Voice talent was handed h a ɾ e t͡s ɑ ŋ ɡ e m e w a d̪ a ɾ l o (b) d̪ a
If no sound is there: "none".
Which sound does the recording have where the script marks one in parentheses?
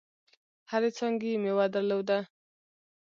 w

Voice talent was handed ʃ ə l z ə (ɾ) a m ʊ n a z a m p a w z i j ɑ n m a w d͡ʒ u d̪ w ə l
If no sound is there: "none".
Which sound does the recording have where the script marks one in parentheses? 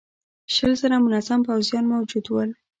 ɾ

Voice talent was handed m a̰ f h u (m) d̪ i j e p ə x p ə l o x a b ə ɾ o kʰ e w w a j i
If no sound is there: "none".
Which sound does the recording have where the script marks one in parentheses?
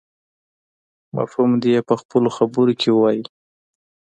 m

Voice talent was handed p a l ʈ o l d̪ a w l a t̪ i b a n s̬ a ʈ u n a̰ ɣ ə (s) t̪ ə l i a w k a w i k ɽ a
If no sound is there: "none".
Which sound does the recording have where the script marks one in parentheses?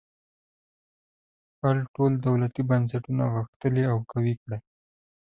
x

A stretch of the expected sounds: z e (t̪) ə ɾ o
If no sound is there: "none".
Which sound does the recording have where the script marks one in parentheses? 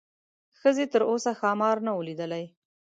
t̪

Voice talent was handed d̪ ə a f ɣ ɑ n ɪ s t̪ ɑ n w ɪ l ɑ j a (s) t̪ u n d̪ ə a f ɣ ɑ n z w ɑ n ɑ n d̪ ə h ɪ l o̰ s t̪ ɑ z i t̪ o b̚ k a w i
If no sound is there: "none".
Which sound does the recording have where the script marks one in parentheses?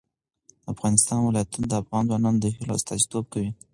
none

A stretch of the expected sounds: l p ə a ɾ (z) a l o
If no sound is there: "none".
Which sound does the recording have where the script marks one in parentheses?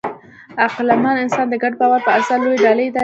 s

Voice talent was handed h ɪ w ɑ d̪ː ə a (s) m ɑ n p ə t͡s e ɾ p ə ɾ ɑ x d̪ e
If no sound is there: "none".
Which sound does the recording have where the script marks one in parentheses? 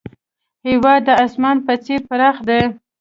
s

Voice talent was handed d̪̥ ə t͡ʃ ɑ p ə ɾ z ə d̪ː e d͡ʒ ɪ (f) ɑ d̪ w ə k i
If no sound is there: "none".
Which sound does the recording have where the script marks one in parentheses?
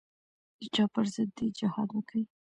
h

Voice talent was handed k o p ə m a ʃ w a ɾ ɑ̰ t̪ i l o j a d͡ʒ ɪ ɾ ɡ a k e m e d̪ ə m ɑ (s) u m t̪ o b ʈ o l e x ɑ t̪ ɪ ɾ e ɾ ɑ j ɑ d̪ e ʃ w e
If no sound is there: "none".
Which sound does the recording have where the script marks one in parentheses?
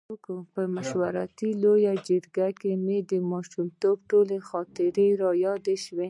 ʃ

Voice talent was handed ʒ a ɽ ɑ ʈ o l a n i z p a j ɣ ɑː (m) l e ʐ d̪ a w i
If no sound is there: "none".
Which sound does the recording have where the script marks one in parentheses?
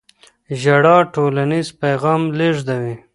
m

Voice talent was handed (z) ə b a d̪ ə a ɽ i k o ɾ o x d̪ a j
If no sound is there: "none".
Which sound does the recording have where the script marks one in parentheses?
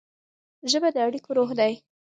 ʒ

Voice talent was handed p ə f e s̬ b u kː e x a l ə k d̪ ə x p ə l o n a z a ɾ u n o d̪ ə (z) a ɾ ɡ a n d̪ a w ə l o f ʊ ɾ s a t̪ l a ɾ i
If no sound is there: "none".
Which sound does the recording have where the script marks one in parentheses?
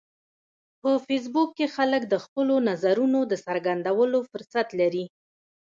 s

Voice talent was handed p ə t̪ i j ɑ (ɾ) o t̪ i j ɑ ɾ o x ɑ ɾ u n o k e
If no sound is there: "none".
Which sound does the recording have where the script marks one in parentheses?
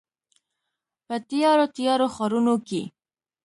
ɾ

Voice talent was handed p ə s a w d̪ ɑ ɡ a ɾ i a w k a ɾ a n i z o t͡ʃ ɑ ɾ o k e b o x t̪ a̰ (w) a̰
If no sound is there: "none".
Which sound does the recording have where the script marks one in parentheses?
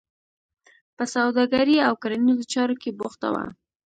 w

